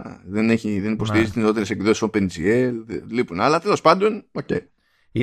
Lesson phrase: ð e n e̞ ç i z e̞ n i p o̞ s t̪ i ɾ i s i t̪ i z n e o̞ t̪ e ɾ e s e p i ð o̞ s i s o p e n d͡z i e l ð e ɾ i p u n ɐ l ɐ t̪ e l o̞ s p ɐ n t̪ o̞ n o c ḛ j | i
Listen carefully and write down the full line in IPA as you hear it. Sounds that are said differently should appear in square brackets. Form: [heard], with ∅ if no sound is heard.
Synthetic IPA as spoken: ð e n e̞ ç i [ð] e̞ n i p o̞ s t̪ i ɾ i [z] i t̪ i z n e o̞ t̪ e ɾ e s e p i ð o̞ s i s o p e n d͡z i e l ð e [l] i p u n ɐ l ɐ t̪ e l o̞ s p ɐ n [d̪] o̞ n o c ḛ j | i